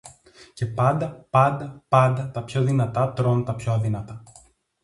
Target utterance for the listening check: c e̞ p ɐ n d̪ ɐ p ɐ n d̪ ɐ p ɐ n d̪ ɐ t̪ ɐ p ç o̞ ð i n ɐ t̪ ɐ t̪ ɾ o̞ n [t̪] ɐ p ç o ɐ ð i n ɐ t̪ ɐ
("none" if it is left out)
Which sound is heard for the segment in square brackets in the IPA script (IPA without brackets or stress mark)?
t̪